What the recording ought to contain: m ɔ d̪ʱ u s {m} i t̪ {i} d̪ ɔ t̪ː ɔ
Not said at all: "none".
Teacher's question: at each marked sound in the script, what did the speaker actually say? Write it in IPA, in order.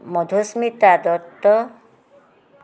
m, a

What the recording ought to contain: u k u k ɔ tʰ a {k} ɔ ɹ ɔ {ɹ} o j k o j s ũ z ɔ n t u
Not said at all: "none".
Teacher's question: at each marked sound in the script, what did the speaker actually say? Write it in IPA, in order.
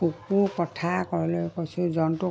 k, l

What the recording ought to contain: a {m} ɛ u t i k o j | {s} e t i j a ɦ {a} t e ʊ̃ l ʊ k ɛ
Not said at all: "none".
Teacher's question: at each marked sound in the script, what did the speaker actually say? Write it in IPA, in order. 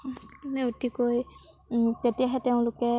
n, t, ɛ

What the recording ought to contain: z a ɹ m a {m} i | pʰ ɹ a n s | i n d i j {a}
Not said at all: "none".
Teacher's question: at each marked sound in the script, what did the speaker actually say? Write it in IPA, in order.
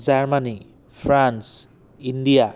n, a

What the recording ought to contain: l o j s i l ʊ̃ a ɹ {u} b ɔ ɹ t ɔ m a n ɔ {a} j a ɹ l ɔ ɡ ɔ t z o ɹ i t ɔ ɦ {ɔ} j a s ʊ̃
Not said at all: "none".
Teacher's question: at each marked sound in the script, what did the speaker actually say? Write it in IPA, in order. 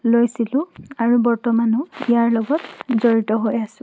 u, i, o

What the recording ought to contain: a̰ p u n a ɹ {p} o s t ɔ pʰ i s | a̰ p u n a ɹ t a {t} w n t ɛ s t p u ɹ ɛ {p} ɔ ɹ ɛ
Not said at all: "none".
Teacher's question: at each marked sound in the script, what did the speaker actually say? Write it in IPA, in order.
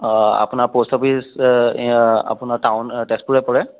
p, none, p

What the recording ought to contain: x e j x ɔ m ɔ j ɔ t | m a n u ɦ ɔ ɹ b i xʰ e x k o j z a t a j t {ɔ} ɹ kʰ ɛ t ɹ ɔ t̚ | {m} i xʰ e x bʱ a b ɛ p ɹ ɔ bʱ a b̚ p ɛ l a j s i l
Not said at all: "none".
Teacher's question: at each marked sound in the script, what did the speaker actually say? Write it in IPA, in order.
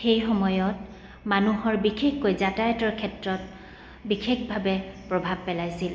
ɔ, b

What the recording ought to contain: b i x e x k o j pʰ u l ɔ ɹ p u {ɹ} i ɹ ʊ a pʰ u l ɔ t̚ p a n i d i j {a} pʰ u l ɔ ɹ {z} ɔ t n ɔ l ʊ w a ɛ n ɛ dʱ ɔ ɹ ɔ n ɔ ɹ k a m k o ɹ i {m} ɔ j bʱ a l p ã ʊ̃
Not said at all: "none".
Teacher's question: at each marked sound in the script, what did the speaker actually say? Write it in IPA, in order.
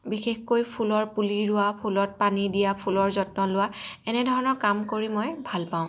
l, a, z, m

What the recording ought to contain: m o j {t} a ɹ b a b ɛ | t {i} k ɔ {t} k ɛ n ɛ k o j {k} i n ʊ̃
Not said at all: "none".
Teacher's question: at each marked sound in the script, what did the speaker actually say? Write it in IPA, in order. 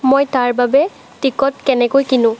t, i, t, k

